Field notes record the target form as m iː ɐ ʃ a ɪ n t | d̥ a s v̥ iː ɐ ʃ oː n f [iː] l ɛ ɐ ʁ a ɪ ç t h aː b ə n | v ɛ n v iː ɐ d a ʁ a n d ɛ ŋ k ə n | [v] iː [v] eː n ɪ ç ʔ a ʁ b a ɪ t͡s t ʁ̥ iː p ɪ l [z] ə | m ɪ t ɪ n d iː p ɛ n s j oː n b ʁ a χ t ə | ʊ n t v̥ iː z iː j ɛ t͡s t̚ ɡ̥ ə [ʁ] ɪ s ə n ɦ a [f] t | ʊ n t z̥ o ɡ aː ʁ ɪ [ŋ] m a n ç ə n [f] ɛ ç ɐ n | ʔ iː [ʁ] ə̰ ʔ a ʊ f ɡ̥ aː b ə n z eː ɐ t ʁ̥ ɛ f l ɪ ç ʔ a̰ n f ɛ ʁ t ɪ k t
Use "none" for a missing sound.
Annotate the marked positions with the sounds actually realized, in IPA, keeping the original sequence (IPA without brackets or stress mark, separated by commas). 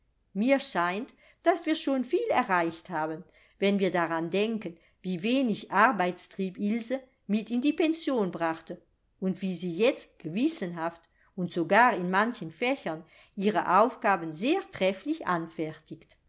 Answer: iː, v, v, z, v, f, n, f, ʁ